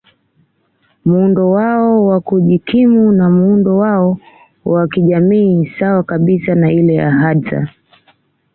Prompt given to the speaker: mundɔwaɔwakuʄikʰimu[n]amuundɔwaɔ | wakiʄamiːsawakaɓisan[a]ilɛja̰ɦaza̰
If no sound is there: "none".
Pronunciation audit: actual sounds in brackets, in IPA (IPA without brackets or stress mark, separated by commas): n, a